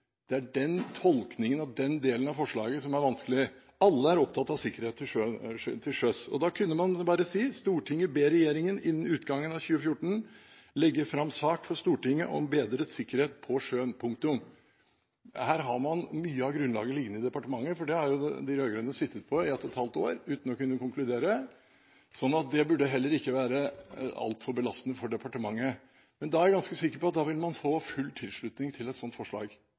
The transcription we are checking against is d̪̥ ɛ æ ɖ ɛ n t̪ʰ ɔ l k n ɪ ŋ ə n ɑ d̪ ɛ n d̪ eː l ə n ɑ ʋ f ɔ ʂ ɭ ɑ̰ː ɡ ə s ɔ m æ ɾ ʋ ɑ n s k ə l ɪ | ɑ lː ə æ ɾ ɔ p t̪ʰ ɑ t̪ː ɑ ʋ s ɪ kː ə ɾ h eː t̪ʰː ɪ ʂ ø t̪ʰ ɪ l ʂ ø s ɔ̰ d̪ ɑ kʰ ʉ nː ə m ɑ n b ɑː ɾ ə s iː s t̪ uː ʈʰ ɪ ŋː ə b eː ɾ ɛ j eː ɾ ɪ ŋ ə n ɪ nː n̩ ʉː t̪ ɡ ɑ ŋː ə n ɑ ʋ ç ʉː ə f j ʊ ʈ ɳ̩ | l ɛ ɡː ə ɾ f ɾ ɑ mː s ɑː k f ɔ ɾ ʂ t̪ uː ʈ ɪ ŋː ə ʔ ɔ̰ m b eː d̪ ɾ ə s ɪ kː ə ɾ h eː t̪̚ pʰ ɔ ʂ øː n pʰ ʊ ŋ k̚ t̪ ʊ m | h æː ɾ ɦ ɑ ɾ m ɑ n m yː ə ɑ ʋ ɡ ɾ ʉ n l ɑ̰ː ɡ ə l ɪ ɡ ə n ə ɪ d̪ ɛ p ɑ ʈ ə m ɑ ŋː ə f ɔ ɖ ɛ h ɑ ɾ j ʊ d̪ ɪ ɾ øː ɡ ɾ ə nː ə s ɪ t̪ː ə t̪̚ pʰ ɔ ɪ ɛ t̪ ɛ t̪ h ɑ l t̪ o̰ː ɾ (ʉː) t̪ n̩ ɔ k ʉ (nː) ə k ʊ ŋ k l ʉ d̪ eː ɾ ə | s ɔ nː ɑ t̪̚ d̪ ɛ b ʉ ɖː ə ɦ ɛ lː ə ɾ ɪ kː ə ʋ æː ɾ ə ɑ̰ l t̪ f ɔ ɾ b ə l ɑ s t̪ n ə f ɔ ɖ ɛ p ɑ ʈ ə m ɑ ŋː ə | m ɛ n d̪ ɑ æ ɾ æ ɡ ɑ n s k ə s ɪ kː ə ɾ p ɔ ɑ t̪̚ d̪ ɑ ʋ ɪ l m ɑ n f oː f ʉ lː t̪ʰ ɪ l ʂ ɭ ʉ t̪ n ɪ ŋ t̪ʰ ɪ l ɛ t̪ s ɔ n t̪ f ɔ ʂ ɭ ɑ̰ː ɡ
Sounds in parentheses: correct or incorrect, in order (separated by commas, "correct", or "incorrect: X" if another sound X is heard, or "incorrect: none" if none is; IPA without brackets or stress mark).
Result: correct, correct